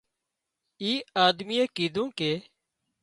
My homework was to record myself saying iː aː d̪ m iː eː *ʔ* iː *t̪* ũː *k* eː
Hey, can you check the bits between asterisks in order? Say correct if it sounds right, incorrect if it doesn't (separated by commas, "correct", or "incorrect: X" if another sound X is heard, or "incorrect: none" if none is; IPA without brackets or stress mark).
incorrect: k, incorrect: d̪, correct